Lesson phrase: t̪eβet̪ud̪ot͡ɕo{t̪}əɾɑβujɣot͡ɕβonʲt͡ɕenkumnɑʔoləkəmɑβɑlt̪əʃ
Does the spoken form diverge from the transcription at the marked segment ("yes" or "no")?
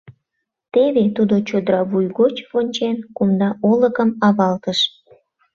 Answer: yes